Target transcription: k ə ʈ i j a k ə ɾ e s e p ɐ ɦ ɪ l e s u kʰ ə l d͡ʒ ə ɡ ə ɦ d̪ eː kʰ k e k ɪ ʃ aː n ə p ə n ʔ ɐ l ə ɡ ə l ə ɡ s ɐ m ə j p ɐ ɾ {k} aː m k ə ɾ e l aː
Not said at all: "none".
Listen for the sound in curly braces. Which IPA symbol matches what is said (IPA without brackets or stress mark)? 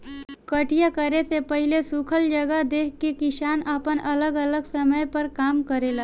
k